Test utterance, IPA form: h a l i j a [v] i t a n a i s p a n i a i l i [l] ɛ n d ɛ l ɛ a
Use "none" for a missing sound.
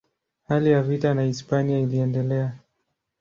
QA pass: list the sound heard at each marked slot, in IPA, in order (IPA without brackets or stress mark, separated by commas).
v, none